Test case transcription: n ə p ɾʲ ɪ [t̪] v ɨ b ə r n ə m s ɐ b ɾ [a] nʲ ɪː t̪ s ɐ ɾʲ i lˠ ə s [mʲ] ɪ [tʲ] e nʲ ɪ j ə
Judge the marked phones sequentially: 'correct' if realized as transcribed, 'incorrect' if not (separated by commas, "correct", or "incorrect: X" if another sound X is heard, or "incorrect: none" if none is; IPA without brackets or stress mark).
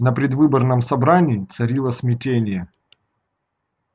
incorrect: d̪, correct, correct, correct